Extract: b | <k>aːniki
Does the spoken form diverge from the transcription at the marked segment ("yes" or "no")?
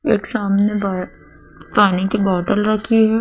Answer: yes